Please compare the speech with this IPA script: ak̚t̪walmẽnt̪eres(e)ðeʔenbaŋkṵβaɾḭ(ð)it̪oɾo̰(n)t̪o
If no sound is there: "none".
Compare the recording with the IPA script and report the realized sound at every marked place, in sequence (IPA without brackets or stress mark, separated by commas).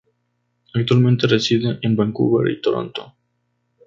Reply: i, none, n